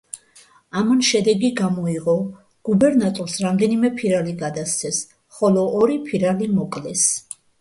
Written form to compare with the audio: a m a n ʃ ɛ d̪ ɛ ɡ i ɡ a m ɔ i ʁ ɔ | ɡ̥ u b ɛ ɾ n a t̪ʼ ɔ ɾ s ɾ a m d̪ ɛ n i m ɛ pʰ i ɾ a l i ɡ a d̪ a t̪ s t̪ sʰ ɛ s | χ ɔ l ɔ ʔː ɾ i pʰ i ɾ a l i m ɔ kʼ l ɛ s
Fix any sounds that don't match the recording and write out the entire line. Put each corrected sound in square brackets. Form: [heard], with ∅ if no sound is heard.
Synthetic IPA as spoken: a m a n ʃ ɛ d̪ ɛ ɡ i ɡ a m ɔ i ʁ ɔ | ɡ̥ u b ɛ ɾ n a t̪ʼ ɔ ɾ s ɾ a m d̪ ɛ n i m ɛ pʰ i ɾ a l i ɡ a d̪ a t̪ s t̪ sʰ ɛ s | χ ɔ l ɔ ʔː ɾ i pʰ i ɾ a l i m ɔ kʼ l ɛ s